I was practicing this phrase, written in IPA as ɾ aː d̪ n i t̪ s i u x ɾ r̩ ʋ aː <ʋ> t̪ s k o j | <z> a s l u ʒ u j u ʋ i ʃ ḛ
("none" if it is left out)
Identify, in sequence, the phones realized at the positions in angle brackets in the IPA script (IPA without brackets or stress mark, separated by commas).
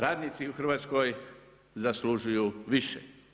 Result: none, z